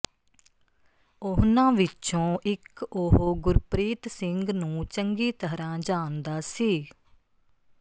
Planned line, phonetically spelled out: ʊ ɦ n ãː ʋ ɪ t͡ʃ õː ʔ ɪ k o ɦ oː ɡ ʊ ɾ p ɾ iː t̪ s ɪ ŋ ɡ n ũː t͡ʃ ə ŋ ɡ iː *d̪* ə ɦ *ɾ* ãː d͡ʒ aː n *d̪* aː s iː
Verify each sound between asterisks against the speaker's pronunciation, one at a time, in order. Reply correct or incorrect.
incorrect: t̪, correct, correct

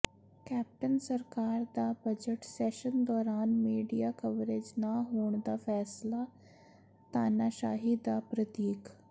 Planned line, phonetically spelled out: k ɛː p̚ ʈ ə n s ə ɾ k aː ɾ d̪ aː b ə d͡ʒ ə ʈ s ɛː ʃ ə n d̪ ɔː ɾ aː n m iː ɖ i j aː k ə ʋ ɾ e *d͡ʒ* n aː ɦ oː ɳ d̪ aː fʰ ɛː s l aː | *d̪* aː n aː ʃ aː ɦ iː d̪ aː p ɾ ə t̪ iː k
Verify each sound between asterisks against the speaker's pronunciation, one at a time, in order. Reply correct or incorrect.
correct, incorrect: t̪

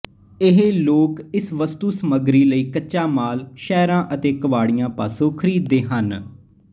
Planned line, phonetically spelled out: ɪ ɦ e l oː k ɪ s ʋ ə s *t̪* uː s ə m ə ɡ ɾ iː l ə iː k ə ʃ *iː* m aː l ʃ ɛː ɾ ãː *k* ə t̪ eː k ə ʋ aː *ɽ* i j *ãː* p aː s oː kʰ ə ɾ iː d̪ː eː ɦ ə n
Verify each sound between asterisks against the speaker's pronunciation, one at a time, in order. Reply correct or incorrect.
correct, incorrect: aː, incorrect: ʔ, correct, correct

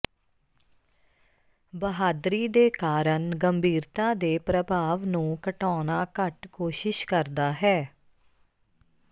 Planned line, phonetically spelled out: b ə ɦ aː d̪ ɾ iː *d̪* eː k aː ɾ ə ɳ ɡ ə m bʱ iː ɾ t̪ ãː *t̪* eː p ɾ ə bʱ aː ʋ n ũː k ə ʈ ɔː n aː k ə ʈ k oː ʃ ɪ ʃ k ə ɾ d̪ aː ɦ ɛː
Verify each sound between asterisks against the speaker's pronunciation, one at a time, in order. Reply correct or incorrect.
correct, incorrect: d̪

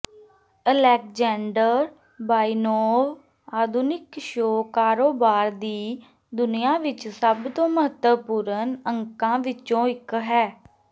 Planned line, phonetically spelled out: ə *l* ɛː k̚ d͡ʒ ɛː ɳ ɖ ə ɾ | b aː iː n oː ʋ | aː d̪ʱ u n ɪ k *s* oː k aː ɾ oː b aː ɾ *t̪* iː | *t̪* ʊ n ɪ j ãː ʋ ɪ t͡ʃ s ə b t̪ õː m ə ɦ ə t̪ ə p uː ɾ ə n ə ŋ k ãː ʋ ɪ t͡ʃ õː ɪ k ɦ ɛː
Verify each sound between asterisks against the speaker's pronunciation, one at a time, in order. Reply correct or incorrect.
correct, incorrect: ʃ, incorrect: d̪, incorrect: d̪

